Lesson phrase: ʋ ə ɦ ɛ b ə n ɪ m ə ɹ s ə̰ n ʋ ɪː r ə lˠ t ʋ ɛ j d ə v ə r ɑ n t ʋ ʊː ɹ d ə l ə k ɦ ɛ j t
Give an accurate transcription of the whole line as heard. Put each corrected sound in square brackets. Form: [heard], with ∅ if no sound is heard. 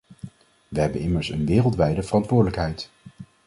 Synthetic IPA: ʋ ə ɦ ɛ b ə n ɪ m ə ɹ s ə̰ n ʋ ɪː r ə lˠ t ʋ ɛ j d ə v ə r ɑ n t ʋ ʊː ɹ d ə l ə k ɦ ɛ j t